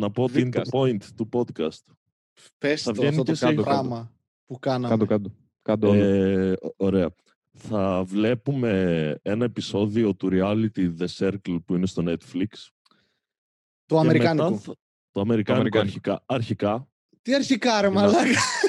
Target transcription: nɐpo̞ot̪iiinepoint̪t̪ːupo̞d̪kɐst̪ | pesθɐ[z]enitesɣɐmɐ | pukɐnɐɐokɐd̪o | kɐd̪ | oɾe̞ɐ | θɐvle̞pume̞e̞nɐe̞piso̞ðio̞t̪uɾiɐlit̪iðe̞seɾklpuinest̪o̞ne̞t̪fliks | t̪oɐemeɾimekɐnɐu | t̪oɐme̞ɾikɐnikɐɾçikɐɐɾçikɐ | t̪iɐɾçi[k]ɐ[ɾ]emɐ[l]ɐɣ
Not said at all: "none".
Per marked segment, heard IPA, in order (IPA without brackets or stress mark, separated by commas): v, k, ɾ, l